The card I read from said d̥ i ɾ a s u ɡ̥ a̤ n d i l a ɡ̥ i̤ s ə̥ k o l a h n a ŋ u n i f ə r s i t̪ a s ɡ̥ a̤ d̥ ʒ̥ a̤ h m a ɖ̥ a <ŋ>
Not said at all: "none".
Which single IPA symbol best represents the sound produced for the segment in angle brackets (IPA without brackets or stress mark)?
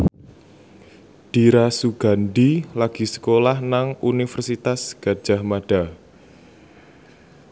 none